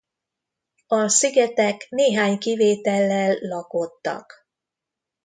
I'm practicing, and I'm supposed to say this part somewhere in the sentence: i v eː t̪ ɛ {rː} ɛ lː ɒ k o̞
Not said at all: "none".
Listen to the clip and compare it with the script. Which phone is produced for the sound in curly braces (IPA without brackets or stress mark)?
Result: lː